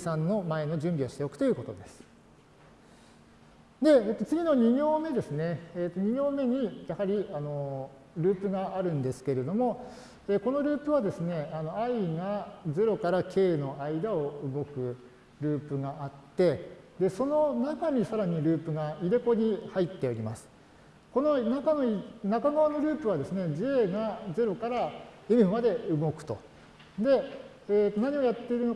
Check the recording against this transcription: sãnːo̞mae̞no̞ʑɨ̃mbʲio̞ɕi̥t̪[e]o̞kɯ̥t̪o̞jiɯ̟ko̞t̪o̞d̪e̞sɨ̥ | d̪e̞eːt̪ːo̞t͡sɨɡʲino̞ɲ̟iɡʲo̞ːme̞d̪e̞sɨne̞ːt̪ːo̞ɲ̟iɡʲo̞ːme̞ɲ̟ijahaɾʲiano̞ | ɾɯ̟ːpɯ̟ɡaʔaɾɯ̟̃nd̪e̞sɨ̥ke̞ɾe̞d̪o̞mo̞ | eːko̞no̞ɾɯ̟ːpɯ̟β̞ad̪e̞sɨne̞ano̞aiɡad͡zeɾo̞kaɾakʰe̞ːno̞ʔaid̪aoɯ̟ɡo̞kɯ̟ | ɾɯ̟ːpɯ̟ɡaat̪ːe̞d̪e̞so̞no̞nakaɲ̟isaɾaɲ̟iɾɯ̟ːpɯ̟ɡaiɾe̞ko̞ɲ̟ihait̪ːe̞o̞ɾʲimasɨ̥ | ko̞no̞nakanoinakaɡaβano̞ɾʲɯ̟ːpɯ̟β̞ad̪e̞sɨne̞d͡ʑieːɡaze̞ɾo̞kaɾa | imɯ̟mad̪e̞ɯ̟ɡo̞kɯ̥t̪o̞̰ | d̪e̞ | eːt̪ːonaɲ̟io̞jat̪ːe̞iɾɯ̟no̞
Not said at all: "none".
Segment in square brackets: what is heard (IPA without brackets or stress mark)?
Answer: e